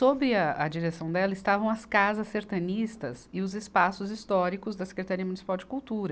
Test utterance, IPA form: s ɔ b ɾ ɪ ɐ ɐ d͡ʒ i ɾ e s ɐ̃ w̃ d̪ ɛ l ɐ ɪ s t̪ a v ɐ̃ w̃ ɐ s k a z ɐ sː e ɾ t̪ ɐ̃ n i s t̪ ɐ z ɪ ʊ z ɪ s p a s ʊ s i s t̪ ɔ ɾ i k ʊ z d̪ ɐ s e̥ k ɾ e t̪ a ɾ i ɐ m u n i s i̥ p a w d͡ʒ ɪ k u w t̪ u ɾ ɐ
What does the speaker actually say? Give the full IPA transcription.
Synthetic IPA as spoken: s o b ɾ ɪ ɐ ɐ d͡ʒ i ɾ e s ɐ̃ w̃ d̪ ɛ l ɐ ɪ s t̪ a v ɐ̃ w̃ ɐ s k a z ɐ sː e ɾ t̪ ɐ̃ n i s t̪ ɐ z ɪ ʊ z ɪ s p a s ʊ z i s t̪ ɔ ɾ i k ʊ z d̪ ɐ s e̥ k ɾ e t̪ a ɾ i ɐ m u n i s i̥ p a w d͡ʒ ɪ k u w t̪ u ɾ ɐ